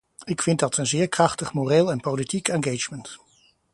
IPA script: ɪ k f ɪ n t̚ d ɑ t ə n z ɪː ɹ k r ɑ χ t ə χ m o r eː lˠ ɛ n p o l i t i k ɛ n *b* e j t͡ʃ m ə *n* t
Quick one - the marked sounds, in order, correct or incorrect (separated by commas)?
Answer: incorrect, correct